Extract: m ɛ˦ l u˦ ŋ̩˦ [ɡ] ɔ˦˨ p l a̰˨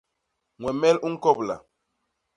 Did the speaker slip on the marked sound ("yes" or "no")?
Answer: yes